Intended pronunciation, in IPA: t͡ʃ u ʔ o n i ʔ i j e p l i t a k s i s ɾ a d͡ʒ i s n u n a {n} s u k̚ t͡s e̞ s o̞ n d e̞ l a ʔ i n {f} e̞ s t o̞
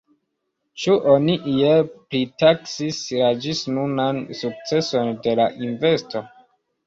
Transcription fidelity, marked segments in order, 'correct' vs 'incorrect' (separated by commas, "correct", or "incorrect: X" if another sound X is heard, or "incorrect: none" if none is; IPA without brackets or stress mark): correct, incorrect: v